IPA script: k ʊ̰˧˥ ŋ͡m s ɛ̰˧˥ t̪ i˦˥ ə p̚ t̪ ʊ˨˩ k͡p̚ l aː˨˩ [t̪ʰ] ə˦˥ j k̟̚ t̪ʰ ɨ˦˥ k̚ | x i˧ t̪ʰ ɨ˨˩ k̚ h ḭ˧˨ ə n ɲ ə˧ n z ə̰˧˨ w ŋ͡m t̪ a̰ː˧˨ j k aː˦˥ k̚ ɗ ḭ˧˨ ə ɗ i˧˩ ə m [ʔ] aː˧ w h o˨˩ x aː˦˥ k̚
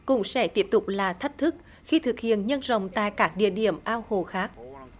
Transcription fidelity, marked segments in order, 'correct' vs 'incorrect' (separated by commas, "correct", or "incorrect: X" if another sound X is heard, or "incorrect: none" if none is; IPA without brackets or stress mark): correct, correct